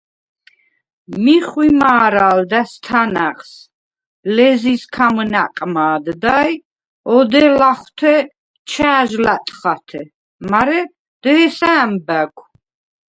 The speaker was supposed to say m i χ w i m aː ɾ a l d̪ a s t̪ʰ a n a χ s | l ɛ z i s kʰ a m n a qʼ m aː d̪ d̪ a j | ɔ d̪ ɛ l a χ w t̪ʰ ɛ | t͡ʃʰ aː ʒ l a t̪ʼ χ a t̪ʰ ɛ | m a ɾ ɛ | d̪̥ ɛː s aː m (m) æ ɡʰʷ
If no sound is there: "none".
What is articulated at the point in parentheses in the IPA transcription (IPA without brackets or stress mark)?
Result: b